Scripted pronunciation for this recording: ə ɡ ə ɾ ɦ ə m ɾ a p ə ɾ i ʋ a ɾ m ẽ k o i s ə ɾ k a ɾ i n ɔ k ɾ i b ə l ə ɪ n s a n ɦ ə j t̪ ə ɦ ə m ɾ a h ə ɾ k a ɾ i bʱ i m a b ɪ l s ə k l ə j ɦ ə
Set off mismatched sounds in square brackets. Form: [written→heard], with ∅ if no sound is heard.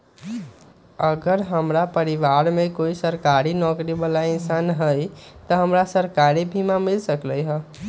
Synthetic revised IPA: ə ɡ ə ɾ ɦ ə m ɾ a p ə ɾ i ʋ a ɾ m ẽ k o i s ə ɾ k a ɾ i n ɔ k ɾ i b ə l [ə→a] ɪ n s a n ɦ ə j t̪ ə ɦ ə m ɾ a [h→s] ə ɾ k a ɾ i bʱ i m a [b→m] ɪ l s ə k l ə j ɦ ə